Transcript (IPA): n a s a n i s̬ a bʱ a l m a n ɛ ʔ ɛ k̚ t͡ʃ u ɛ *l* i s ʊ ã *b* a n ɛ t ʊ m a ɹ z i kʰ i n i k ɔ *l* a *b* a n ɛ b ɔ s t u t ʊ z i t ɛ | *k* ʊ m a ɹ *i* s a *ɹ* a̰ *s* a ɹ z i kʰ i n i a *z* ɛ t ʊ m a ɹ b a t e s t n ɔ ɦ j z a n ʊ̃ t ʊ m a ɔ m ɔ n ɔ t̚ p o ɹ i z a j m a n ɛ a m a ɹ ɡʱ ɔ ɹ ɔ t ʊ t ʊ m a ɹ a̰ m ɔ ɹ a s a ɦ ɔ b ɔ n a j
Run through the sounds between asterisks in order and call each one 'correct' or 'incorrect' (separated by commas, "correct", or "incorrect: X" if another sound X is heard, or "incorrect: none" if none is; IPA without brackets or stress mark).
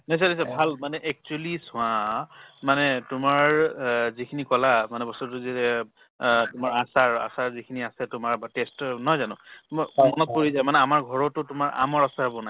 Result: correct, incorrect: m, correct, incorrect: m, incorrect: t, incorrect: a, correct, correct, incorrect: s